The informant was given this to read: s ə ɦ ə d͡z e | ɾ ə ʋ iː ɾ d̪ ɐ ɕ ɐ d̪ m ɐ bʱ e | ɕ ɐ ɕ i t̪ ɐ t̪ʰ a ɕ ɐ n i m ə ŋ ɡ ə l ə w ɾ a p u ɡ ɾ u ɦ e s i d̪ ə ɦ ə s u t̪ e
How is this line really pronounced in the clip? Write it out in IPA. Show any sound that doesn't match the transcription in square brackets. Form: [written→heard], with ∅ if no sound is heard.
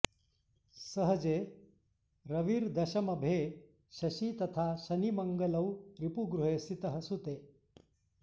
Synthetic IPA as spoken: s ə ɦ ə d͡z e | ɾ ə ʋ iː ɾ d̪ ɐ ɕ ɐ [d̪→∅] m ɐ bʱ e | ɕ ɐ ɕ i t̪ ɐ t̪ʰ a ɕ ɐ n i m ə ŋ ɡ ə l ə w ɾ [a→i] p u ɡ ɾ u ɦ e s i [d̪→t̪] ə ɦ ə s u t̪ e

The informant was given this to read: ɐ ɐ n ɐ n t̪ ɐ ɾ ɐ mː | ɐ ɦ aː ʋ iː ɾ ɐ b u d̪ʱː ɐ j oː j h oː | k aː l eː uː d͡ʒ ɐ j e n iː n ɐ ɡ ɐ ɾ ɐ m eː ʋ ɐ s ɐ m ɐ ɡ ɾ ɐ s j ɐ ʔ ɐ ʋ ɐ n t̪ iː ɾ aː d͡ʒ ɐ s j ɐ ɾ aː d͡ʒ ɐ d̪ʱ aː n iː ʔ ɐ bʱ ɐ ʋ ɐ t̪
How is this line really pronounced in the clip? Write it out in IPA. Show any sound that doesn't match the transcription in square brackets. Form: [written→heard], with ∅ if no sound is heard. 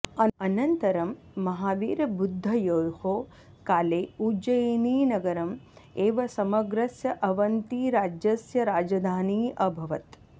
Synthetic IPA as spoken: ɐ ɐ n ɐ n t̪ ɐ ɾ ɐ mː | ɐ ɦ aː ʋ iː ɾ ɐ b u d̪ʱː ɐ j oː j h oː | k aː l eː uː d͡ʒ ɐ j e n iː n ɐ ɡ ɐ ɾ ɐ m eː ʋ ɐ s ɐ m ɐ ɡ ɾ ɐ s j ɐ ʔ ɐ ʋ ɐ n t̪ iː ɾ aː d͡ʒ ɐ s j ɐ ɾ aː d͡ʒ ɐ d̪ʱ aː n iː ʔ ɐ bʱ ɐ ʋ ɐ t̪

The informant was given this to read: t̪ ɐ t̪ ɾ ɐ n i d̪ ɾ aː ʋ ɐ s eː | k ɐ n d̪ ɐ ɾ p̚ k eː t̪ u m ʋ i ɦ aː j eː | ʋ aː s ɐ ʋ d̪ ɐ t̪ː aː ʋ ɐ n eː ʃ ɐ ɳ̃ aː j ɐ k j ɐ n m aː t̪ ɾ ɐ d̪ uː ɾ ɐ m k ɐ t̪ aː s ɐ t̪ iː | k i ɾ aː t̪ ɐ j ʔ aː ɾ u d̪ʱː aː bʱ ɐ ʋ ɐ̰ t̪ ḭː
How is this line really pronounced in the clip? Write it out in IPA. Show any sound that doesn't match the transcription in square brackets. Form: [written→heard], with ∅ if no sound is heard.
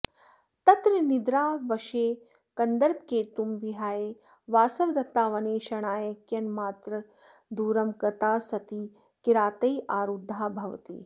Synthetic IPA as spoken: t̪ ɐ t̪ ɾ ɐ n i d̪ ɾ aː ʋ ɐ [s→ʃ] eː | k ɐ n d̪ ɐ ɾ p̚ k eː t̪ u m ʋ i ɦ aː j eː | ʋ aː s ɐ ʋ d̪ ɐ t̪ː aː ʋ ɐ n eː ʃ ɐ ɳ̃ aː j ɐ k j ɐ n m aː t̪ ɾ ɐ d̪ uː ɾ ɐ m k ɐ t̪ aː s ɐ t̪ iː | k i ɾ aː t̪ ɐ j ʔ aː ɾ u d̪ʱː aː bʱ ɐ ʋ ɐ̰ t̪ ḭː

